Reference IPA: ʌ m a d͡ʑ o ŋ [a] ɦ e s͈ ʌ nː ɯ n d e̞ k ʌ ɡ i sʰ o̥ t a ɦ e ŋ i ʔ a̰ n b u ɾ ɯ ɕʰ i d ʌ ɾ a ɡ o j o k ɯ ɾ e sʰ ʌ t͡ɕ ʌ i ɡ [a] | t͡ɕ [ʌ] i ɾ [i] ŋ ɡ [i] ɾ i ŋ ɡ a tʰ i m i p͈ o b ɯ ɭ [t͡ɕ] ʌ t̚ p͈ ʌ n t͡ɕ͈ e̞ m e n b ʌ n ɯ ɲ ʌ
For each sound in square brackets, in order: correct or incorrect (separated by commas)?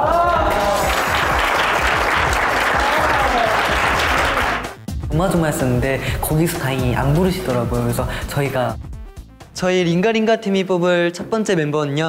correct, correct, correct, correct, incorrect, incorrect